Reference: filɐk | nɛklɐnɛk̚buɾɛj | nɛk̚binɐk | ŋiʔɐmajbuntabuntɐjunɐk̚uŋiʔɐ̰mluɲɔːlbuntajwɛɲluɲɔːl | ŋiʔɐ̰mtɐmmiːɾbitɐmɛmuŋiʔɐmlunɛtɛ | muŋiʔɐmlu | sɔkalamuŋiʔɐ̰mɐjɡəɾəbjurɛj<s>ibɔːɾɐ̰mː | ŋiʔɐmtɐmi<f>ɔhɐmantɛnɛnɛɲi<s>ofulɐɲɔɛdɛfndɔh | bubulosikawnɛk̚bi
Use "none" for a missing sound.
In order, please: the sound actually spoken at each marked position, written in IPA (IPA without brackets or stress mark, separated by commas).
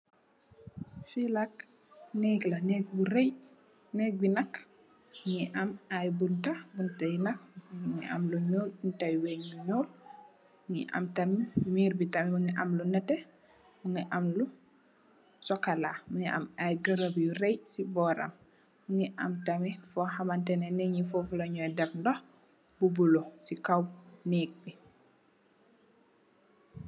s, f, f